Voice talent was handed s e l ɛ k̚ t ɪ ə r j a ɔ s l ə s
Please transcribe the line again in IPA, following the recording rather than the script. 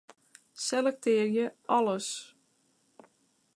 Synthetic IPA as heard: s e l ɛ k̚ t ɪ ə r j ə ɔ l ə s